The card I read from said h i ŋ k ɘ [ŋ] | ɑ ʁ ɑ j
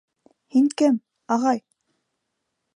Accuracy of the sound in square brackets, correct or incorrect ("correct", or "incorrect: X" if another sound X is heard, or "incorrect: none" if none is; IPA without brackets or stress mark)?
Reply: incorrect: m